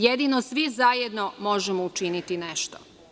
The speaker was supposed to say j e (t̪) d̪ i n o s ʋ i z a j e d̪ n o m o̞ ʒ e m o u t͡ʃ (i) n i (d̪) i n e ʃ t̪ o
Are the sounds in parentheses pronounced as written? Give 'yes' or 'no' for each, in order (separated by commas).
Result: no, yes, no